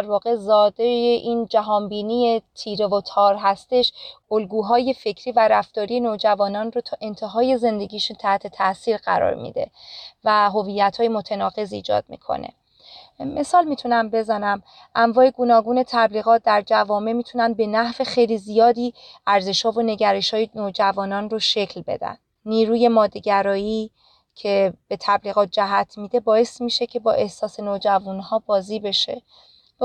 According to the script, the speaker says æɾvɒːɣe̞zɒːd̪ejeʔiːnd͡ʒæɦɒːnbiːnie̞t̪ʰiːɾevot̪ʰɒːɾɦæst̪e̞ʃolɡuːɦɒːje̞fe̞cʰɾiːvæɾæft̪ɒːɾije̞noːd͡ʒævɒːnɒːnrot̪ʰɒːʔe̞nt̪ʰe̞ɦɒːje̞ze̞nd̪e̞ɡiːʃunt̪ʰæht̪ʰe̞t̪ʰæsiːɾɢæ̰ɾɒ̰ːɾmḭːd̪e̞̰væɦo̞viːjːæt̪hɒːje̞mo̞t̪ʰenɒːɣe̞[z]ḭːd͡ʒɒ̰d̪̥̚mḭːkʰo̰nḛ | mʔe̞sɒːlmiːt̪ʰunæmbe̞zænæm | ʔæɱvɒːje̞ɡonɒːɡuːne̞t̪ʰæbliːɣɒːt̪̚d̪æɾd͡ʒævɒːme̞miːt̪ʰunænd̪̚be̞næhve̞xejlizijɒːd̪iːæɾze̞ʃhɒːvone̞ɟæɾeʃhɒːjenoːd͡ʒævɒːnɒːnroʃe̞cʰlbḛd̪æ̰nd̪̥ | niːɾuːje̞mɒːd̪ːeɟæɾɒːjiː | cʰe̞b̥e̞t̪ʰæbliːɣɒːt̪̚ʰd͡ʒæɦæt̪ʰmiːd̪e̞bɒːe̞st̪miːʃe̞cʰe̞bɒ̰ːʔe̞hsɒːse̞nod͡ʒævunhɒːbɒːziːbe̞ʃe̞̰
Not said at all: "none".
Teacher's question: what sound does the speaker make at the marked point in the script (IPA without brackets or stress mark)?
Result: z